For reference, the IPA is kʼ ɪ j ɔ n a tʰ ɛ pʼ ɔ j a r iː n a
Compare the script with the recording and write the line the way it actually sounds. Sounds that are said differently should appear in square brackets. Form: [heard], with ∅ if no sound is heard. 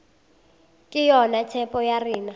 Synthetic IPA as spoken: kʼ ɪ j ɔ n a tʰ ɛ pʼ ɔ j a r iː n a